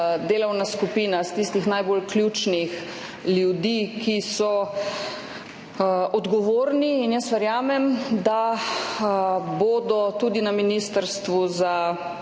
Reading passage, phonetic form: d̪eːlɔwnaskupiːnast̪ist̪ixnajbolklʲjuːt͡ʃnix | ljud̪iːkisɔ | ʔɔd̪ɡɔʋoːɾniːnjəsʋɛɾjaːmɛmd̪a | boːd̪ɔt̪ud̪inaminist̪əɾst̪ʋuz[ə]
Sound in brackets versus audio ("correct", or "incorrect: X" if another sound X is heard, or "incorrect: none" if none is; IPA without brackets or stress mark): incorrect: a